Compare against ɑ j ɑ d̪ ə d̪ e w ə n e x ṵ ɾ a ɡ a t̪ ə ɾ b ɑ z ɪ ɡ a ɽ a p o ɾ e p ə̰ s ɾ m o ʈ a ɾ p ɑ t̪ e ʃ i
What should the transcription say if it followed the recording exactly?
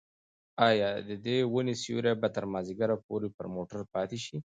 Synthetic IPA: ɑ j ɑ d̪ ə d̪ e w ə n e s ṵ ɾ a b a t̪ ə ɾ m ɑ z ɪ ɡ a ɾ a p o ɾ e p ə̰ ɾ m o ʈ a ɾ p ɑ t̪ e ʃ i